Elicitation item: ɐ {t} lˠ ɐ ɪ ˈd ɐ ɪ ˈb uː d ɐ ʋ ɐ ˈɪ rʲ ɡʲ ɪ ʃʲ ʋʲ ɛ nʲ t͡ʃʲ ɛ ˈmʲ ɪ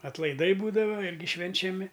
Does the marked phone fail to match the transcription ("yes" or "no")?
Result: no